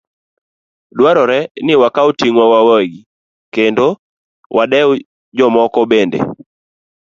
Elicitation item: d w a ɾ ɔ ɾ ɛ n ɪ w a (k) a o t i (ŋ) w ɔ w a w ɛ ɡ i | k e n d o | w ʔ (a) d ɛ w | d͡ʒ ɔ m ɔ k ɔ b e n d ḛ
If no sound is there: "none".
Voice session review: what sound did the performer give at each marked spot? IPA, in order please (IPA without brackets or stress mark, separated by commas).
k, ŋ, a